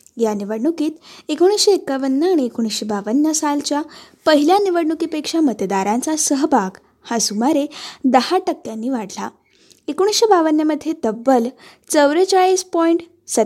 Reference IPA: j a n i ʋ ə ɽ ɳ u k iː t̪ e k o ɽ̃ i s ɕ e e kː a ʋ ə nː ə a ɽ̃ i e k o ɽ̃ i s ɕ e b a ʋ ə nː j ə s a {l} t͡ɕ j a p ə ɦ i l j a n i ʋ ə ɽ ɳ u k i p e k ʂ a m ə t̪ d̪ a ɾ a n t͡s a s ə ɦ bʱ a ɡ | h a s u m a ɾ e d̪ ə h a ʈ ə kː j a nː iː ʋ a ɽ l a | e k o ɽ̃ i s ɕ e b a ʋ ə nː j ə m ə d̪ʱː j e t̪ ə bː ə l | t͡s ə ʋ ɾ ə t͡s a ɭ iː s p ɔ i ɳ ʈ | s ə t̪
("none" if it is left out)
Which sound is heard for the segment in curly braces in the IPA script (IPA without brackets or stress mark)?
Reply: l